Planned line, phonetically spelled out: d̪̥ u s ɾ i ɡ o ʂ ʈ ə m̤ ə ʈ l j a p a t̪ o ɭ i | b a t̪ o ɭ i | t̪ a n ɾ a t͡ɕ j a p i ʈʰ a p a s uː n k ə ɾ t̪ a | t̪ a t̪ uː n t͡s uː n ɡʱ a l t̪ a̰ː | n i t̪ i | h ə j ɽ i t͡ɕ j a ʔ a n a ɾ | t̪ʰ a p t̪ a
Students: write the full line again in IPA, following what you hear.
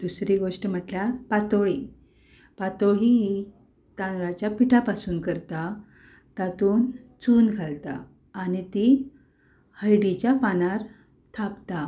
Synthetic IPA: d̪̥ u s ɾ i ɡ o ʂ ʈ ə m̤ ə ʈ l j a p a t̪ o ɭ i | p a t̪ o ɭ i | t̪ a n ɾ a t͡ɕ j a p i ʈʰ a p a s uː n k ə ɾ t̪ a | t̪ a t̪ uː n t͡s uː n ɡʱ a l t̪ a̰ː | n i t̪ i | h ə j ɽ i t͡ɕ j a p a n a ɾ | t̪ʰ a p t̪ a